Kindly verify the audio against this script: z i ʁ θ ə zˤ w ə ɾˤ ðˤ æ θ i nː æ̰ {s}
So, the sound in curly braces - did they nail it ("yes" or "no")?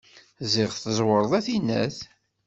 no